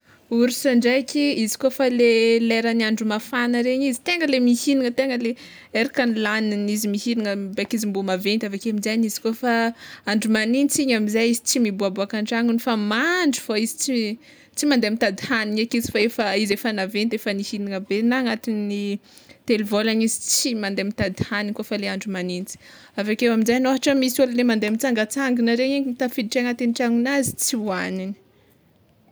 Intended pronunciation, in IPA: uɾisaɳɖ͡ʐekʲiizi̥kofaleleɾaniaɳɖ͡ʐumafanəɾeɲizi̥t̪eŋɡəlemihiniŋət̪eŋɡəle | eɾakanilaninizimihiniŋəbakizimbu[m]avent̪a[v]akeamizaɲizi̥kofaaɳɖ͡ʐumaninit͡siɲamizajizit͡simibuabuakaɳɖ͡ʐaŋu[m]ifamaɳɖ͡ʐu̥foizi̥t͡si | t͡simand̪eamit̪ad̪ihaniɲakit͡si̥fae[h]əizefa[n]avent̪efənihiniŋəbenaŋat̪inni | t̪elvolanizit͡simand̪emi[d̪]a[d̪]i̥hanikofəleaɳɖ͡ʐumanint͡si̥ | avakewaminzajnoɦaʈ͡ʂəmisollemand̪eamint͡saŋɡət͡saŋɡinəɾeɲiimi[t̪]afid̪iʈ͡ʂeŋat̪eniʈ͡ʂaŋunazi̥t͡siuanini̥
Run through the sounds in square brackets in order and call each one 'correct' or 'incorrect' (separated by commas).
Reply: correct, correct, incorrect, incorrect, correct, incorrect, correct, correct